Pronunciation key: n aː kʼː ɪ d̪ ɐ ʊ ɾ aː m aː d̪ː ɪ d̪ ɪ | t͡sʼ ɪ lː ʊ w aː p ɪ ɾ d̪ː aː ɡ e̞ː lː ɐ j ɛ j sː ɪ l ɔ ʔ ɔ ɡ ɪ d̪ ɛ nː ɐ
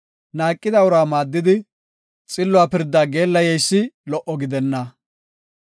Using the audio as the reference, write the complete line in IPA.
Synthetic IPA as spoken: n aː kʼː ɪ d̪ ɐ ʊ ɾ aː m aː d̪ː ɪ d̪ ɪ | t͡sʼ ɪ lː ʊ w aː p ɪ ɾ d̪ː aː ɡ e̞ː lː ɐ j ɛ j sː ɪ l ɔ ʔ ɔ ɡ ɪ d̪ ɛ nː ɐ

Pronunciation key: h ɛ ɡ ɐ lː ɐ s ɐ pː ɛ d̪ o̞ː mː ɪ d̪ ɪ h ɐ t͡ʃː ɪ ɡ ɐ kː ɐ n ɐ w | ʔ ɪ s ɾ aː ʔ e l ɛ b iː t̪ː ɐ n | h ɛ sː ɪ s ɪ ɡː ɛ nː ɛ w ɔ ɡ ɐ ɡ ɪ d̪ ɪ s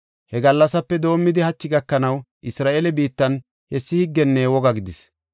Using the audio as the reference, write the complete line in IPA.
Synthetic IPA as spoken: h ɛ ɡ ɐ lː ɐ s ɐ pː ɛ d̪ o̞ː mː ɪ d̪ ɪ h ɐ t͡ʃː ɪ ɡ ɐ kː ɐ n ɐ w | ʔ ɪ s ɾ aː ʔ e l ɛ b iː t̪ː ɐ n | h ɛ sː ɪ h ɪ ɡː ɛ nː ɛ w ɔ ɡ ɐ ɡ ɪ d̪ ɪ s

